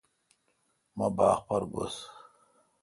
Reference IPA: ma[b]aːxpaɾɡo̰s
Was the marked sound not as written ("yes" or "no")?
no